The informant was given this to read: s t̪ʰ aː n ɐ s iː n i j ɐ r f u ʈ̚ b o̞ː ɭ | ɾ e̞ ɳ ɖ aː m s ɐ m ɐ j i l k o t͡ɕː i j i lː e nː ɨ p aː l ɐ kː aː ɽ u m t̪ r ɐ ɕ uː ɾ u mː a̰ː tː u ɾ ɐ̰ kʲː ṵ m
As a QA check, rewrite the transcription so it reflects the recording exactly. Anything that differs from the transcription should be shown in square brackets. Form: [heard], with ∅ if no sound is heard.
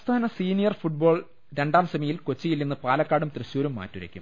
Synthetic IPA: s t̪ʰ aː n ɐ s iː n i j ɐ r f u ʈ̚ b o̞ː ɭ | ɾ e̞ ɳ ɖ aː m s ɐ m ɐ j i l k o t͡ɕː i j i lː [i] nː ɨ p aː l ɐ kː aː ɽ u m t̪ r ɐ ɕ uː ɾ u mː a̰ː tː u ɾ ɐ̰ kʲː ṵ m